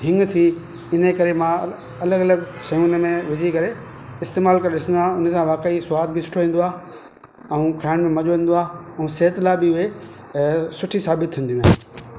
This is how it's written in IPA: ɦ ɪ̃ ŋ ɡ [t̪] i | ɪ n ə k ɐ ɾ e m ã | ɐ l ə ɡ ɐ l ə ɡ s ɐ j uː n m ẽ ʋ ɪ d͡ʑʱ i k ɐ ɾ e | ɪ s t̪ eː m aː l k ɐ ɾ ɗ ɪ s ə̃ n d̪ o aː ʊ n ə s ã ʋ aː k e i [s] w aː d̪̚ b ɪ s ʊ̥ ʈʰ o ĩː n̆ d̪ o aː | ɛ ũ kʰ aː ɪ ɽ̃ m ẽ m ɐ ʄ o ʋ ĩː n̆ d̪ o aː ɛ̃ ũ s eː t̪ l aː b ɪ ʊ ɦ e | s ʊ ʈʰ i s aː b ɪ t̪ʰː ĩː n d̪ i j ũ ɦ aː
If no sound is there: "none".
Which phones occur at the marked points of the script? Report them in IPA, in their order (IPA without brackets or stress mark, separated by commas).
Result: t̪ʰ, s